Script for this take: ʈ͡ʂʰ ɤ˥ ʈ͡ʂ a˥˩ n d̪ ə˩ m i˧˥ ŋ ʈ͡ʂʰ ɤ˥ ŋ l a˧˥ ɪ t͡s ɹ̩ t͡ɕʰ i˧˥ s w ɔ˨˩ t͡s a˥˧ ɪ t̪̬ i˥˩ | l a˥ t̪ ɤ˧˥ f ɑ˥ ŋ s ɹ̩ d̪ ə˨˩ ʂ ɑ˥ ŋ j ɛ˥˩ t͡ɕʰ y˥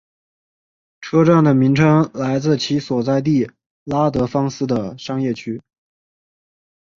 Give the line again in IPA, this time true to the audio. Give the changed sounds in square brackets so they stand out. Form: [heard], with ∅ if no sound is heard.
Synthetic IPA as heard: ʈ͡ʂʰ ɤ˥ ʈ͡ʂ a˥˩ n d̪ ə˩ m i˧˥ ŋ ʈ͡ʂʰ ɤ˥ ŋ l a˧˥ ɪ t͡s ɹ̩ t͡ɕʰ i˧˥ s w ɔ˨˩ t͡s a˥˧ ɪ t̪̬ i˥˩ | l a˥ t̪ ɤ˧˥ f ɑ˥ ŋ s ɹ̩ d̪ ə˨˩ ʂ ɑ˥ ŋ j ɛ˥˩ t͡ɕʰ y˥